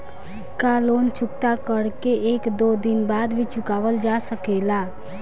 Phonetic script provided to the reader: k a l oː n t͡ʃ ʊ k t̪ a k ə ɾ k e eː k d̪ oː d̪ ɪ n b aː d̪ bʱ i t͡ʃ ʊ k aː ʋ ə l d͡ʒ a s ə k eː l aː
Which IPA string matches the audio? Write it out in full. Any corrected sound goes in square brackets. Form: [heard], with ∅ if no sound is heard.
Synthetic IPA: k a l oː n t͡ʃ ʊ k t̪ a k ə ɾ k e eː k d̪ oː d̪ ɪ n b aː d̪ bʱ i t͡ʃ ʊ k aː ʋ ə l d͡ʒ a s ə k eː l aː